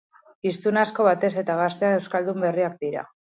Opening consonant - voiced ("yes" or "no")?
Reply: no